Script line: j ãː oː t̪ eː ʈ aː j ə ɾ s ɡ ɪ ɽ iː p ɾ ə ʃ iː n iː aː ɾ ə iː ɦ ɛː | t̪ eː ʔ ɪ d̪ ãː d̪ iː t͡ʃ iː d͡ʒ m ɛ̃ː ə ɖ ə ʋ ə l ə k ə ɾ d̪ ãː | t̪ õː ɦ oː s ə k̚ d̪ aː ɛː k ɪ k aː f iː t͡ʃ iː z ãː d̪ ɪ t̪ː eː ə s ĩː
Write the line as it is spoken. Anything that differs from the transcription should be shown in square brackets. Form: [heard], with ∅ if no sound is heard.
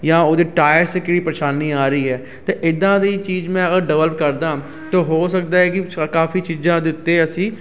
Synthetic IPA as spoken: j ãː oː [d̪] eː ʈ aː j ə ɾ s [k] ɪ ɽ iː p ɾ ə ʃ [aː] n iː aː ɾ ə iː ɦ ɛː | t̪ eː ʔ ɪ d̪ ãː d̪ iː t͡ʃ iː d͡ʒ m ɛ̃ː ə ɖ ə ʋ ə l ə k ə ɾ d̪ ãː | t̪ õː ɦ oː s ə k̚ d̪ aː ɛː k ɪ k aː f iː t͡ʃ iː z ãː d̪ ɪ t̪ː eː ə s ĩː